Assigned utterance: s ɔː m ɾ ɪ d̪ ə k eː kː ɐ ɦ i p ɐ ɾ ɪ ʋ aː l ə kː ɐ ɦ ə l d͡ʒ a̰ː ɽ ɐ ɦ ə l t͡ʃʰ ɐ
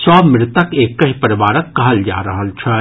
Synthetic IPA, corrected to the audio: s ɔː m ɾ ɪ t̪ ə k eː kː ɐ ɦ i p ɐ ɾ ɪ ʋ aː ɾ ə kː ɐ ɦ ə l d͡ʒ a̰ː ɾ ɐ ɦ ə l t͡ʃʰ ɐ